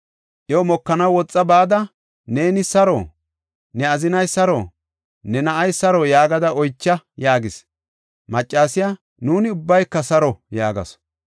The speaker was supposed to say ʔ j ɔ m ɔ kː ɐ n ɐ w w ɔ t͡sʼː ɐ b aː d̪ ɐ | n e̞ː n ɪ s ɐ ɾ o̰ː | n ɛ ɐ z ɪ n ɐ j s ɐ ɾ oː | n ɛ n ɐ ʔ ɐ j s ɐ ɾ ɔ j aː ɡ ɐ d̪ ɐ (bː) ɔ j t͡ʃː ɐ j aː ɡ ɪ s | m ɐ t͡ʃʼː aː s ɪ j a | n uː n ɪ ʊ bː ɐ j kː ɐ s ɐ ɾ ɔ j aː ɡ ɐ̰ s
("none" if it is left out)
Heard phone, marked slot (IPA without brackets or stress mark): none